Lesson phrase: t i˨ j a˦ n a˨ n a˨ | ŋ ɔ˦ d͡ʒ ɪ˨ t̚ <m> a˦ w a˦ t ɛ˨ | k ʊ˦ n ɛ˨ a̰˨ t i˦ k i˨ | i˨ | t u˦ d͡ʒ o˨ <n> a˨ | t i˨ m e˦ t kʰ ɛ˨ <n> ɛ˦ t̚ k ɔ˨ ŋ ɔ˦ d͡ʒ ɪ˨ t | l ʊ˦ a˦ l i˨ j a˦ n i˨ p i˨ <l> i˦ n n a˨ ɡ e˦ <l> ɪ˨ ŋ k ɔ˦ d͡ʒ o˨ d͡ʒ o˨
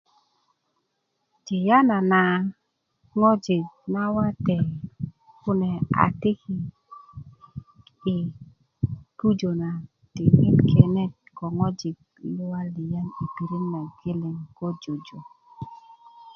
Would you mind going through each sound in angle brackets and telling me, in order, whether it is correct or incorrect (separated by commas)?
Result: incorrect, correct, correct, incorrect, correct